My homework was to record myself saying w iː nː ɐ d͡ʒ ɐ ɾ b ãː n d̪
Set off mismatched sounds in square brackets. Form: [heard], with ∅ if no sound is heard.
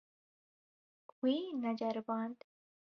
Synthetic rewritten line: w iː [n] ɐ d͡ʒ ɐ ɾ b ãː n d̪